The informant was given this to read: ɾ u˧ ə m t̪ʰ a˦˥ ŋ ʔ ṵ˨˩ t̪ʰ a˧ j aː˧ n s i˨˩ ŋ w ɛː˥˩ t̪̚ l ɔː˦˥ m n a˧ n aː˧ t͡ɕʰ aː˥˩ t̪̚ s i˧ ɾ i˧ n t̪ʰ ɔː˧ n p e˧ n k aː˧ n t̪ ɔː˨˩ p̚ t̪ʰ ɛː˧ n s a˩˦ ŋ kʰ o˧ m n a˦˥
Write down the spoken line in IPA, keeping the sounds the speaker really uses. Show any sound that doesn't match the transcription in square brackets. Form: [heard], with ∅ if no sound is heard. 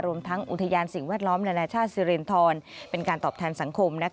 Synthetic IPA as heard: ɾ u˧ ə m t̪ʰ a˦˥ ŋ ʔ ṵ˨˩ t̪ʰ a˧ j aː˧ n s i˨˩ ŋ w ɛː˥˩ t̪̚ l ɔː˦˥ m n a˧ n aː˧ t͡ɕʰ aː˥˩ t̪̚ s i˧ ɾ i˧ n t̪ʰ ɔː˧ n p e˧ n k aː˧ n t̪ ɔː˨˩ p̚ t̪ʰ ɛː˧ n s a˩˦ ŋ kʰ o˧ m n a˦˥